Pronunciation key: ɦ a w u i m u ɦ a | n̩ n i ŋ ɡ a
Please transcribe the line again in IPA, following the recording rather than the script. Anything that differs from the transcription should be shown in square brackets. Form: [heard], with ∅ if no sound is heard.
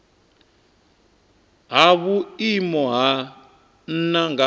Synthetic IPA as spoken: ɦ a [β] u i m [ɔ] ɦ a | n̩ n [a] ŋ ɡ a